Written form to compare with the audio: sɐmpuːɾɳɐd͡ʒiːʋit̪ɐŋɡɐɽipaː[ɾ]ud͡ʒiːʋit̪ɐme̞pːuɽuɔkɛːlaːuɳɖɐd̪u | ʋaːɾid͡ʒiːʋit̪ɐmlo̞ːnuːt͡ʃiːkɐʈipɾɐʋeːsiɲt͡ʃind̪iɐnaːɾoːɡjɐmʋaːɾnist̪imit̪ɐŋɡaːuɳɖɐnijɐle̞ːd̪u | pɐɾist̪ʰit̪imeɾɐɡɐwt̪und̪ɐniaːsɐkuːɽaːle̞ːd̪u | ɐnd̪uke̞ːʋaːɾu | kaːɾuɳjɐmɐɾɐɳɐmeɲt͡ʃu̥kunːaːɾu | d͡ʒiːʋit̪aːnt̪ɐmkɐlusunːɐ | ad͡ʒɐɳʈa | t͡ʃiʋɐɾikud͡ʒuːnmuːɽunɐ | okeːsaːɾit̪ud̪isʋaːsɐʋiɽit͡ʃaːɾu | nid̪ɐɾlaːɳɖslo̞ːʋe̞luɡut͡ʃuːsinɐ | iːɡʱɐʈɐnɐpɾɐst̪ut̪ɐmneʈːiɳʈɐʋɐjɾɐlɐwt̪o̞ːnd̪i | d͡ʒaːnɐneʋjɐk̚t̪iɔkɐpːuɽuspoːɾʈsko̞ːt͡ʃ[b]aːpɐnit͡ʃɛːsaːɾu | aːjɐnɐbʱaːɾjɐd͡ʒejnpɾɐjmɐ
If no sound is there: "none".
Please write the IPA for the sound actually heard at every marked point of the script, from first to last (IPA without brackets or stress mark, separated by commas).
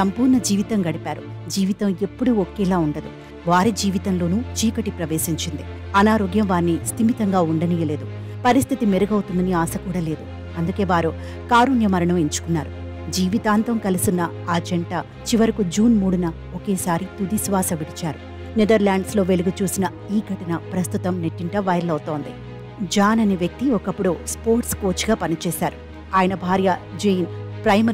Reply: ɾ, ɡ